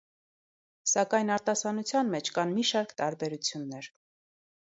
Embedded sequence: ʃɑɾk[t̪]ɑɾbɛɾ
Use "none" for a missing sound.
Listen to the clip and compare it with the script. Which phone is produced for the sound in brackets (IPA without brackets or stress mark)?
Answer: t̪